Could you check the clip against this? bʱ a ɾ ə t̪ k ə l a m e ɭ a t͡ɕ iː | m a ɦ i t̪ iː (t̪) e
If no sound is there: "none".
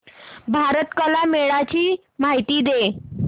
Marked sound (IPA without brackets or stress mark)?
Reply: d̪